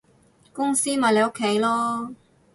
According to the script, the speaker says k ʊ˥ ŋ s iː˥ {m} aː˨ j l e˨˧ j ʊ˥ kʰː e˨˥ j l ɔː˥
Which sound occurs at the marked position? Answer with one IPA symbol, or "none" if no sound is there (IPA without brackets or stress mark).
m